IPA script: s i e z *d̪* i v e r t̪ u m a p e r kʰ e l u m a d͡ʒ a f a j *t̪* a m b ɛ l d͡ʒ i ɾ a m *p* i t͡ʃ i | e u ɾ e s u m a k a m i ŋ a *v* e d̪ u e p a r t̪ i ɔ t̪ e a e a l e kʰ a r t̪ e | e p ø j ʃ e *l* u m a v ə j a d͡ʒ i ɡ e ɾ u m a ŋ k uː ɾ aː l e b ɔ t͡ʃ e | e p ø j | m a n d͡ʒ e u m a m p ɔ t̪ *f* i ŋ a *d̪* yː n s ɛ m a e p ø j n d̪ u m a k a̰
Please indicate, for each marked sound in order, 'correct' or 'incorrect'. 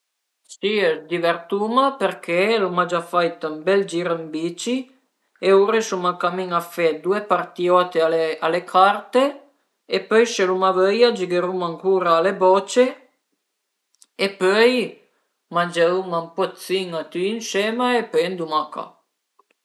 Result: correct, correct, incorrect: b, incorrect: f, correct, incorrect: s, incorrect: t̪

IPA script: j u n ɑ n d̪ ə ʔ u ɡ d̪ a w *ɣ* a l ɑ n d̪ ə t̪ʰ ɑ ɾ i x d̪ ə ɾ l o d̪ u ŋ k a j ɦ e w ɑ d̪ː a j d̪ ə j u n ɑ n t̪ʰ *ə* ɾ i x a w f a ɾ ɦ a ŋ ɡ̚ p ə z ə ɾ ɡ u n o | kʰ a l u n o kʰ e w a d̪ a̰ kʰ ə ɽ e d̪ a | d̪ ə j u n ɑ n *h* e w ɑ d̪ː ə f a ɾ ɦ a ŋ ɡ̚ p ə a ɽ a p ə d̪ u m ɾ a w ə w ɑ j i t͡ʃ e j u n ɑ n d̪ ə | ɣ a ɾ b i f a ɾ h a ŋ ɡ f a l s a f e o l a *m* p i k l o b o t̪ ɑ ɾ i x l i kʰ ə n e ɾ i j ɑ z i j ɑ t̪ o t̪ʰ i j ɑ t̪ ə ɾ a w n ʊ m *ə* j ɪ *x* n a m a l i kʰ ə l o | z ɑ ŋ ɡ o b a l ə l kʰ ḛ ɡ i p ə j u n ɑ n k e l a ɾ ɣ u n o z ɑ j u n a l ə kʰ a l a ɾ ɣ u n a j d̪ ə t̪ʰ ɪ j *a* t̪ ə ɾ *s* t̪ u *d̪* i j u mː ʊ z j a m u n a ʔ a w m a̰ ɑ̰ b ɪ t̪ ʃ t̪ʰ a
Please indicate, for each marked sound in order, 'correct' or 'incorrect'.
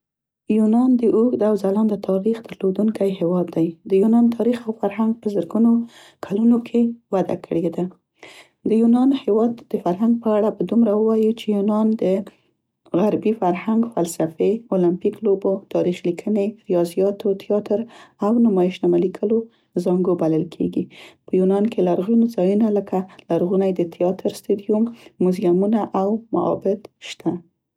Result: incorrect: z, incorrect: ɑ, correct, correct, incorrect: ɑ, incorrect: ʃ, incorrect: ɑ, correct, correct

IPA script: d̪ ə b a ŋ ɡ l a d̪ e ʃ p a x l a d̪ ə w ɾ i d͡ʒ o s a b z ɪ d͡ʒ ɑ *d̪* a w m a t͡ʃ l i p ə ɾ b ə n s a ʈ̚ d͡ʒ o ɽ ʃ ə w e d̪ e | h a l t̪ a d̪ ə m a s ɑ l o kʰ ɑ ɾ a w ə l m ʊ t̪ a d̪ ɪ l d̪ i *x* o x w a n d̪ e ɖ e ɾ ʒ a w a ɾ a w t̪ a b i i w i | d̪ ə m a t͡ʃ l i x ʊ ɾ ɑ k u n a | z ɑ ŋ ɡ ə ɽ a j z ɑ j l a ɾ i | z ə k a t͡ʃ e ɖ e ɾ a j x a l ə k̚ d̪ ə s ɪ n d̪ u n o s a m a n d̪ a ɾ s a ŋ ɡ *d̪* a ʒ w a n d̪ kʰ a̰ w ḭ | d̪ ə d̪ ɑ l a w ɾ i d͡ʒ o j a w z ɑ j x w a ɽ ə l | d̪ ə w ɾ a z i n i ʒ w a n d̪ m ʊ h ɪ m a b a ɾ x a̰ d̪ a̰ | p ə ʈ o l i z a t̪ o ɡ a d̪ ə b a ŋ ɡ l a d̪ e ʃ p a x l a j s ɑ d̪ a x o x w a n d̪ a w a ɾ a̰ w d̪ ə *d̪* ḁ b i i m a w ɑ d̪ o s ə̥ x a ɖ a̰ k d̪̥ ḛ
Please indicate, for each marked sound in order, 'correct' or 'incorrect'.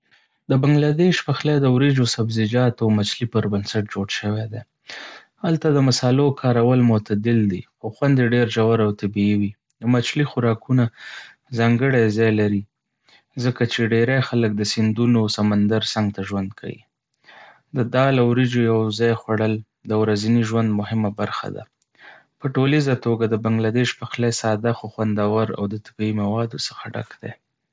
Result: incorrect: t̪, correct, incorrect: t̪, incorrect: t̪

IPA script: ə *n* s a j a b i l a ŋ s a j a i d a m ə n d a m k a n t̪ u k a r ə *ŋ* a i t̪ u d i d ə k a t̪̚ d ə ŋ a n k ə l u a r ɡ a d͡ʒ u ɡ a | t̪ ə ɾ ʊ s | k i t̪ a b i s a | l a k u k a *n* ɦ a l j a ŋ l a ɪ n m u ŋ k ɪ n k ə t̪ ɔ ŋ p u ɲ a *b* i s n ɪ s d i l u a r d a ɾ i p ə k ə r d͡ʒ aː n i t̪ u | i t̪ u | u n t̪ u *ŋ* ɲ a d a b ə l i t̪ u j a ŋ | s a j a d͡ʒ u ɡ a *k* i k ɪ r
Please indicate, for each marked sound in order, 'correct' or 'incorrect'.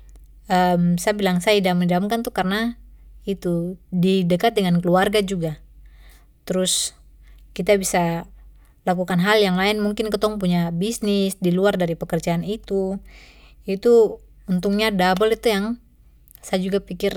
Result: incorrect: m, incorrect: n, correct, correct, correct, incorrect: p

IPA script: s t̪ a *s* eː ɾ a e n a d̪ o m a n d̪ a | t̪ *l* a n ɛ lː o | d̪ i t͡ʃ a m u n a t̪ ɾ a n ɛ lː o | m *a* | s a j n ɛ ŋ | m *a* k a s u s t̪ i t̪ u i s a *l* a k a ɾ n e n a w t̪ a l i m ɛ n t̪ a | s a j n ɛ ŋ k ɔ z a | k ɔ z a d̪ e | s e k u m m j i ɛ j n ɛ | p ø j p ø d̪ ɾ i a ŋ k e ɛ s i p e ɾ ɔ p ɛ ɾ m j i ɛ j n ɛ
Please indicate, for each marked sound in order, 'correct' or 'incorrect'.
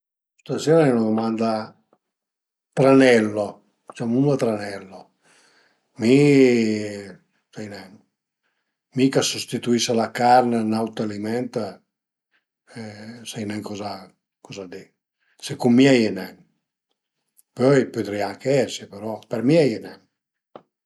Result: correct, incorrect: ɾ, incorrect: i, incorrect: i, correct

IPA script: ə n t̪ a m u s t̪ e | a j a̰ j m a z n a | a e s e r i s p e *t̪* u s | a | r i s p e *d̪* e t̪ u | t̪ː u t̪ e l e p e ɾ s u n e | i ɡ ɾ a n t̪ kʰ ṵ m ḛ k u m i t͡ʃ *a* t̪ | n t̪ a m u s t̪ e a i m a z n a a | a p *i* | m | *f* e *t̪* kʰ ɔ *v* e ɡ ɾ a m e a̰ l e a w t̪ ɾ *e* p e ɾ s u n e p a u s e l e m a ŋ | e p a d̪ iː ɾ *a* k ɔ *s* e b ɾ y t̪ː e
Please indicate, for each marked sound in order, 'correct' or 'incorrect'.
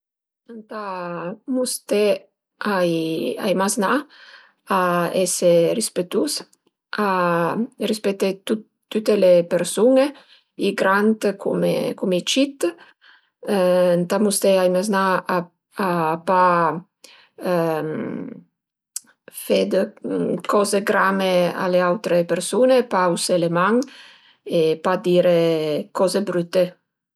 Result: correct, incorrect: t̪, incorrect: i, incorrect: a, correct, incorrect: d̪, incorrect: z, correct, incorrect: e, incorrect: z

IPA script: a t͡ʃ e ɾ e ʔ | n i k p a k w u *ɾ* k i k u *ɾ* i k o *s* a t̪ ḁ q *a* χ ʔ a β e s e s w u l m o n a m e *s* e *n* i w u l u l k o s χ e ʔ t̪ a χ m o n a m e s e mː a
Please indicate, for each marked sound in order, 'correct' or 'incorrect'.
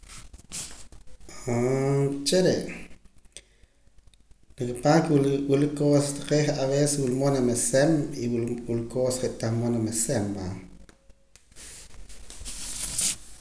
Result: incorrect: l, incorrect: l, correct, incorrect: e, correct, incorrect: m

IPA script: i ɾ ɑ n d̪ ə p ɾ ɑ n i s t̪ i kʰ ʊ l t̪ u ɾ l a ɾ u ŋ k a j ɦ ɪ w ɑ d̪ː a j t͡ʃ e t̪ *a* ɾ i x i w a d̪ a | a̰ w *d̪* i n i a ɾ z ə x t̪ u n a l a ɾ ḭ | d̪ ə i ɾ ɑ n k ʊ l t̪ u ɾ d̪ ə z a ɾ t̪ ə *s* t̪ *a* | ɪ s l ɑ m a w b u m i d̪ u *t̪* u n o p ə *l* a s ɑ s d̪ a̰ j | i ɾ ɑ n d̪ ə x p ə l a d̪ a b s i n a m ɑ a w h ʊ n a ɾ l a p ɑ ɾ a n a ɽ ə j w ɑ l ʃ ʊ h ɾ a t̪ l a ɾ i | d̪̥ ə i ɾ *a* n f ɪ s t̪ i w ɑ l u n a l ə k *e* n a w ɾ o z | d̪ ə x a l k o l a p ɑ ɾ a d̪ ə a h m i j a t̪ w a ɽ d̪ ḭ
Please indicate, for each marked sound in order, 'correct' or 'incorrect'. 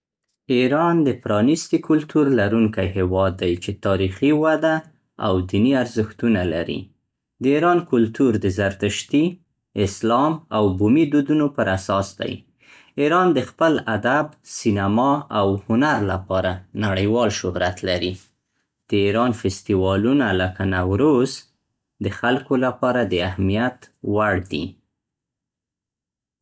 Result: incorrect: ɑ, correct, incorrect: ʃ, incorrect: i, incorrect: d̪, incorrect: ɾ, incorrect: ɑ, incorrect: a

